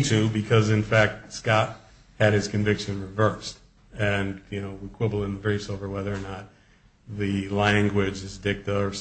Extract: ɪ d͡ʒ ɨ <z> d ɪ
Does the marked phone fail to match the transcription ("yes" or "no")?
no